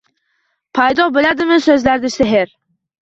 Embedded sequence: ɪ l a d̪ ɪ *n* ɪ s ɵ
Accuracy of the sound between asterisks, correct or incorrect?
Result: incorrect